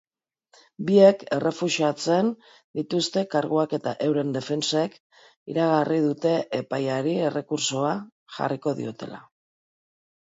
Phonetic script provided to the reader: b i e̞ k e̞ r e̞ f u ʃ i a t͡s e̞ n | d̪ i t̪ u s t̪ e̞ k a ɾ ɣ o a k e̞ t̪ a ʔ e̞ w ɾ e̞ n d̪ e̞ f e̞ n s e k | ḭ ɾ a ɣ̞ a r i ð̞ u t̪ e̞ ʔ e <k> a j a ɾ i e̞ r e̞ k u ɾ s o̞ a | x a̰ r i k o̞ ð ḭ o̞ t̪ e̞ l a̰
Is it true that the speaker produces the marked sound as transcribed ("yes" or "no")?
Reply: no